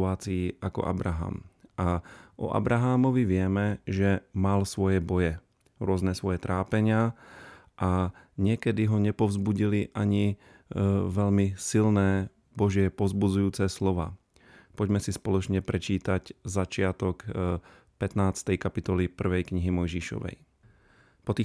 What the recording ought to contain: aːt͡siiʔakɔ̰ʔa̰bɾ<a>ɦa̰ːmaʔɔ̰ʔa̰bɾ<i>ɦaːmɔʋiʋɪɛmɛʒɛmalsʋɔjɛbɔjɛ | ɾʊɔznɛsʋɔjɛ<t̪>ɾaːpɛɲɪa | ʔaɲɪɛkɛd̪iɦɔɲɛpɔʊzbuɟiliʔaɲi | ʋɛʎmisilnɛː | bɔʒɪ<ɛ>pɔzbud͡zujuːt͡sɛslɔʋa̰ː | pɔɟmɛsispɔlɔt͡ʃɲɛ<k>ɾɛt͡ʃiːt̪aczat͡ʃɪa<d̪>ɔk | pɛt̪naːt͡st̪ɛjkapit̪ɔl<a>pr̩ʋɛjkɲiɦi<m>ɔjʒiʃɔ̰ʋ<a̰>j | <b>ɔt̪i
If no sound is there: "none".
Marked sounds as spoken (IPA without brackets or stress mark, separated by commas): a, a, t̪, ɛ, p, t̪, i, m, ɛ̰, p